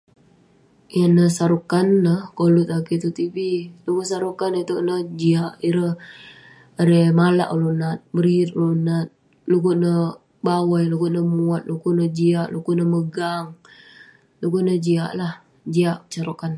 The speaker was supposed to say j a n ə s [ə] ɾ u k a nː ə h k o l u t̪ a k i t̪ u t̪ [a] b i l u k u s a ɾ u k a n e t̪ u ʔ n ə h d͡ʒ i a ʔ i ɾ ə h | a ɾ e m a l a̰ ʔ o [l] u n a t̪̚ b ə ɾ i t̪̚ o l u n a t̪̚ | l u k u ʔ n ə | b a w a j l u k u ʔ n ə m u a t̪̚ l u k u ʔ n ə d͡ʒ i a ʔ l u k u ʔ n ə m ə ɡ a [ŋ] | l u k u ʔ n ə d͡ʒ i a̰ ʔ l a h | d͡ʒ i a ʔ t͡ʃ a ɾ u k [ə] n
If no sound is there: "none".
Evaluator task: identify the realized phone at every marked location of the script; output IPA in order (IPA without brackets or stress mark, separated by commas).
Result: a, i, l, ŋ, a